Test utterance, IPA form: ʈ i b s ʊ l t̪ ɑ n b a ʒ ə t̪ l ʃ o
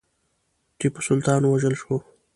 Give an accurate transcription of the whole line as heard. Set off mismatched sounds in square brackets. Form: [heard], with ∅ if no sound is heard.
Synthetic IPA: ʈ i [p] s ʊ l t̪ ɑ n [w] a ʒ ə [∅] l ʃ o